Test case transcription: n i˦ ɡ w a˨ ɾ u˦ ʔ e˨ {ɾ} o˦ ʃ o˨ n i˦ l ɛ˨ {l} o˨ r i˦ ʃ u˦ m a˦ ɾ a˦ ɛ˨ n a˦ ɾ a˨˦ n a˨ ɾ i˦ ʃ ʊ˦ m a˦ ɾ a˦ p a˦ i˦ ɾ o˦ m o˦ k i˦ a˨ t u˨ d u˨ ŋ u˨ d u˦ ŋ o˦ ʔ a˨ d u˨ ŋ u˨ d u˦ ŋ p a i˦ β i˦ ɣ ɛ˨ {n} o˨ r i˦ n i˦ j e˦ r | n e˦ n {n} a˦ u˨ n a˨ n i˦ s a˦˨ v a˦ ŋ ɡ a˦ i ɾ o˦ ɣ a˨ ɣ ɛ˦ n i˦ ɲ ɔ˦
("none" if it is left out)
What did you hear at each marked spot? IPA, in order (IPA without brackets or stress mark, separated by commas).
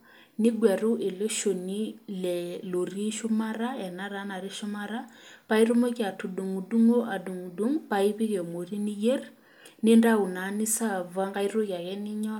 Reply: l, l, m, d